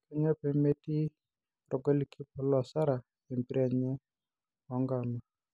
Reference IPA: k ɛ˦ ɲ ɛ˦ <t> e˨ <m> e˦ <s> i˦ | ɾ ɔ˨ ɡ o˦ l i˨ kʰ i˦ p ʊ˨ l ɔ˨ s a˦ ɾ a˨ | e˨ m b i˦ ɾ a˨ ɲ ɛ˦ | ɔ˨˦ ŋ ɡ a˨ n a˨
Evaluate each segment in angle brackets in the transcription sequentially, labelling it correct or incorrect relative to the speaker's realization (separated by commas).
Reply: incorrect, correct, incorrect